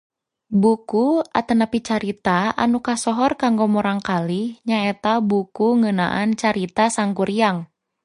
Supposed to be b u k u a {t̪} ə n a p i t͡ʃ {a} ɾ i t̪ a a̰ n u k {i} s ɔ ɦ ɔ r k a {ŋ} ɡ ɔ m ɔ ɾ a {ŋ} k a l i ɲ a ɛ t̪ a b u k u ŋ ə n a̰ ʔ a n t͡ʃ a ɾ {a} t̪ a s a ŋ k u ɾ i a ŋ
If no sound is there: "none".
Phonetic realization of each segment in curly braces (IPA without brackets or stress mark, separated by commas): t̪, a, a, ŋ, ŋ, i